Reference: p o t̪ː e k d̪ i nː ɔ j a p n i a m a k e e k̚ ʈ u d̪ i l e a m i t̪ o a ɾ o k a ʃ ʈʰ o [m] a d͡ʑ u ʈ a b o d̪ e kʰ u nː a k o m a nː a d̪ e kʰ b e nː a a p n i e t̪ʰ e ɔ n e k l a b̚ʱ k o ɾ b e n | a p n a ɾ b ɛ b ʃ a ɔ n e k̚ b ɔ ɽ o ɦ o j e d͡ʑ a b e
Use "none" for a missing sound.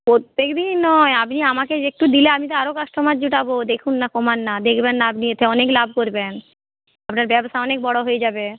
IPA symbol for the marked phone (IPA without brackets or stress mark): m